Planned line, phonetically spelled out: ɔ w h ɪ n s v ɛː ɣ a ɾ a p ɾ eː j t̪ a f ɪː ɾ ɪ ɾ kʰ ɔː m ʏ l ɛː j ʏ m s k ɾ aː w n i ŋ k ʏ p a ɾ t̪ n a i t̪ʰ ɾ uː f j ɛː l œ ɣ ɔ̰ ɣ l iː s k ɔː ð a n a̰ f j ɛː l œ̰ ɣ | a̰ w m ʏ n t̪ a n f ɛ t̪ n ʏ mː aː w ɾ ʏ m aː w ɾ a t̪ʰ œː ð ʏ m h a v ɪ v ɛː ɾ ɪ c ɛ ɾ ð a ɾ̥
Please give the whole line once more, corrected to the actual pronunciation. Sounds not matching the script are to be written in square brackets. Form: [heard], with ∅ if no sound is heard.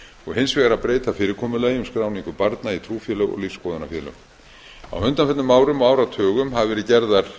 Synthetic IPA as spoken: ɔ [ɣ] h ɪ n s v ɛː ɣ a ɾ a p ɾ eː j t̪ a f ɪː ɾ ɪ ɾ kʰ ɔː m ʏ l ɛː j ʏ m s k ɾ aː w n i ŋ k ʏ p a ɾ t̪ n a i t̪ʰ ɾ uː f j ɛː l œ ɣ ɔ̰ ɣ l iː s k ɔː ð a n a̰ f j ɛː l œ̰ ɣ | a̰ w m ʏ n t̪ a n f ɛ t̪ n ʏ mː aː w ɾ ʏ m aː w ɾ a t̪ʰ œː [ɣ] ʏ m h a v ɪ v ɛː ɾ ɪ c ɛ ɾ ð a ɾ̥